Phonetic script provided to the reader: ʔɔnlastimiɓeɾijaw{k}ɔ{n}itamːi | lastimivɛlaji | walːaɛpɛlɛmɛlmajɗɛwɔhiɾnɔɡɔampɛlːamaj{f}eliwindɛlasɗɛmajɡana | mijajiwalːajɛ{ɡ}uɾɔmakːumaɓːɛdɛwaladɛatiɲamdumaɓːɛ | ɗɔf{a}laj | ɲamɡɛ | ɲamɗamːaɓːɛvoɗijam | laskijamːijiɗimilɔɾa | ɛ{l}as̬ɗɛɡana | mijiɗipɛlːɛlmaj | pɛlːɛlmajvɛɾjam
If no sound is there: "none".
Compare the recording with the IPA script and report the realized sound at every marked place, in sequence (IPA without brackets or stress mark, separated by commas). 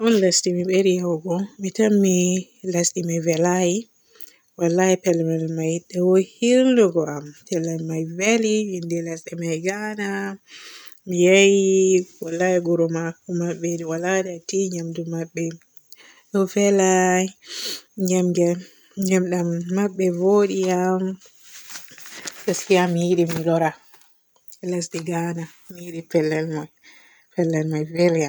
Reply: ɡ, m, v, ɡ, ɛ, l